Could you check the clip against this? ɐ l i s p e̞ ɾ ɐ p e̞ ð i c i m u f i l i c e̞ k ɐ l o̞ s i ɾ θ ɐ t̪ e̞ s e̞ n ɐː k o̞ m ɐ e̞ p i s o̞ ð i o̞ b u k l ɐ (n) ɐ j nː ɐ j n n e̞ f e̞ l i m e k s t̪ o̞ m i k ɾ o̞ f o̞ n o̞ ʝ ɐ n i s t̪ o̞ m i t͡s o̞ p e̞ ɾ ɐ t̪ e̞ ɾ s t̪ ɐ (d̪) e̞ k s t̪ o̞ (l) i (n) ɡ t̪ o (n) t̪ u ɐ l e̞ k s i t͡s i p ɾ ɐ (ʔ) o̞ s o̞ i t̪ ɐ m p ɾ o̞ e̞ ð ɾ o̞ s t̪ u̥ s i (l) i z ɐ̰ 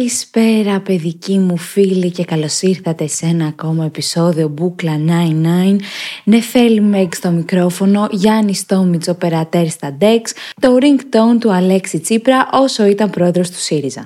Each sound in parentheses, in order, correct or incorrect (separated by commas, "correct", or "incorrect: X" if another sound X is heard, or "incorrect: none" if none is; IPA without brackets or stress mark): correct, correct, incorrect: ɾ, incorrect: ŋ, correct, correct, incorrect: ɾ